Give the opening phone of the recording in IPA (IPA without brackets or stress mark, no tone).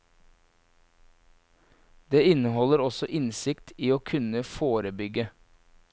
d̪